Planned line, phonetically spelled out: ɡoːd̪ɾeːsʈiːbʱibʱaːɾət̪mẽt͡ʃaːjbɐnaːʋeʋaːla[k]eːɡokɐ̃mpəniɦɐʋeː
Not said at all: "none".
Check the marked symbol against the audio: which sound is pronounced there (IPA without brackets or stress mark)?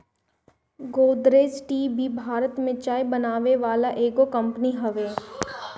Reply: ʔ